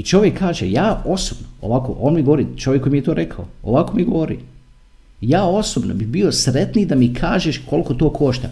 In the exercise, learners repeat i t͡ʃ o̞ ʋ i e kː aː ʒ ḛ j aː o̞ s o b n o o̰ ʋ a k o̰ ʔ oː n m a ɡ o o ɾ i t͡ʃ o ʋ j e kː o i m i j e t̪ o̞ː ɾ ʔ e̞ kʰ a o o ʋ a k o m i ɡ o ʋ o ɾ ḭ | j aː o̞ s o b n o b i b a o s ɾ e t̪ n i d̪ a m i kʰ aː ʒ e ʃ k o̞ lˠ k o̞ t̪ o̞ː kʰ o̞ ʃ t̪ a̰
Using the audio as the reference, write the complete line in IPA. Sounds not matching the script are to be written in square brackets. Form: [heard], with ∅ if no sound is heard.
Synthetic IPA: i t͡ʃ o̞ ʋ [j] e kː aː ʒ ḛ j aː o̞ s o b n o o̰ ʋ a k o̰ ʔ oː n m [i] ɡ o o ɾ i t͡ʃ o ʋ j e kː o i m i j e t̪ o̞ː ɾ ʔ e̞ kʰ a o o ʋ a k o m i ɡ o ʋ o ɾ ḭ | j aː o̞ s o b n o b i b [i] o s ɾ e t̪ n i d̪ a m i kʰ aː ʒ e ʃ k o̞ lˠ k o̞ t̪ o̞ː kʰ o̞ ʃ t̪ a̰